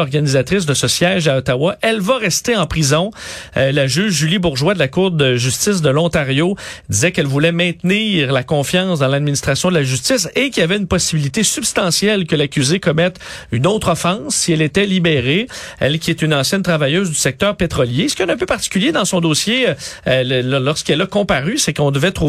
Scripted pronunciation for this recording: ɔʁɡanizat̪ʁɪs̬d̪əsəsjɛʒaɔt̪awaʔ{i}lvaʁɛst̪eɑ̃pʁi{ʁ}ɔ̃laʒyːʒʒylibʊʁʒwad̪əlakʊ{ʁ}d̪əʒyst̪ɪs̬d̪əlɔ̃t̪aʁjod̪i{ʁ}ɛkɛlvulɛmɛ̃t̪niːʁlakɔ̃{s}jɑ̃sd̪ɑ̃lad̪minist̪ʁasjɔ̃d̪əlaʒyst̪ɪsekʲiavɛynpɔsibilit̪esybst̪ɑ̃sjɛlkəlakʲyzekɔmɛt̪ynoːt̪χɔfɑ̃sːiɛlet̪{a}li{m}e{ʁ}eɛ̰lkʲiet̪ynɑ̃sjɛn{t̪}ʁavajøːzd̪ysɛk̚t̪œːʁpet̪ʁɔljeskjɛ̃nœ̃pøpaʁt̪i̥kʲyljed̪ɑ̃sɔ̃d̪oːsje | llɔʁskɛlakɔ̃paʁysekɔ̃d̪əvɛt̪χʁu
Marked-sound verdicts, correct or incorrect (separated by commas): incorrect, incorrect, correct, incorrect, incorrect, incorrect, incorrect, correct, correct